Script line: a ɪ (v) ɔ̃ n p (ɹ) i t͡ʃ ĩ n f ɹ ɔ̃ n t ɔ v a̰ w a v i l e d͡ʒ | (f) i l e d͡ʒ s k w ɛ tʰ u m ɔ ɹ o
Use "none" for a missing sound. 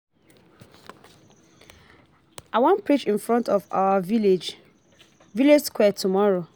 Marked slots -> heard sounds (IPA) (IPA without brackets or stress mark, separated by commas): w, ɹ, v